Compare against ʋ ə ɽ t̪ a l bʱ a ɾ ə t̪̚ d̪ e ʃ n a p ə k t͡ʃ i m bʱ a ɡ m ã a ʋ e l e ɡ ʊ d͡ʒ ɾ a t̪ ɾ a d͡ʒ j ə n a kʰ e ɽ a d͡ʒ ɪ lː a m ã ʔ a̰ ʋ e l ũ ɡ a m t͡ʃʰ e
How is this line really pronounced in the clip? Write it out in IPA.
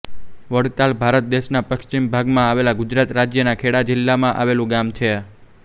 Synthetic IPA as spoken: ʋ ə ɽ t̪ a l bʱ a ɾ ə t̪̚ d̪ e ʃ n a p ə k t͡ʃ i m bʱ a ɡ m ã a ʋ e l a ɡ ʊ d͡ʒ ɾ a t̪ ɾ a d͡ʒ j ə n a kʰ e ɽ a d͡ʒ ɪ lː a m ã ʔ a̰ ʋ e l ũ ɡ a m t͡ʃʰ e